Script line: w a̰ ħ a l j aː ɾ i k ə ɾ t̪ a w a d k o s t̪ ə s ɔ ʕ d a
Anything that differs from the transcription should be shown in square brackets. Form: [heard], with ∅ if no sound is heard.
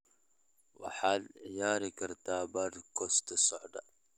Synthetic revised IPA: w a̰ ħ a l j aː ɾ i k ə ɾ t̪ a [b] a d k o s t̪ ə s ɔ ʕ d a